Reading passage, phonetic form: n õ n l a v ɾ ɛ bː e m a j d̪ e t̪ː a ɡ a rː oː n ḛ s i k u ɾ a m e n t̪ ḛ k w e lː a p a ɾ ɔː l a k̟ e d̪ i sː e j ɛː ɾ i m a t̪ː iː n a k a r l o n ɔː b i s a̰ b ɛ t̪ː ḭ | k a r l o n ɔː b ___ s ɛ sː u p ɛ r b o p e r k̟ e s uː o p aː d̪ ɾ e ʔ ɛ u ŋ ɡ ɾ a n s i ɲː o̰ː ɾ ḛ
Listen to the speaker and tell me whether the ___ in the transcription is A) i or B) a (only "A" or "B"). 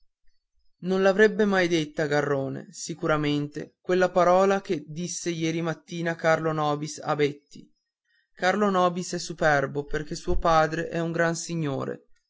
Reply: A